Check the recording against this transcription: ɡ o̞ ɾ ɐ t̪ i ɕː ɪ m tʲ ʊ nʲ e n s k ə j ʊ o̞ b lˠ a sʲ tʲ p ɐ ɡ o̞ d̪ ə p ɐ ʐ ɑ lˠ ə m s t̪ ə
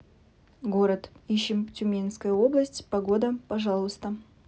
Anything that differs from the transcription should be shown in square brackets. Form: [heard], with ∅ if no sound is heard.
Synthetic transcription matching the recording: ɡ o̞ ɾ [ə] t̪ i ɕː ɪ m tʲ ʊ [mʲ] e n s k ə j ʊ o̞ b lˠ [ə] sʲ tʲ p ɐ ɡ o̞ d̪ ə p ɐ ʐ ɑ lˠ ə [∅] s t̪ ə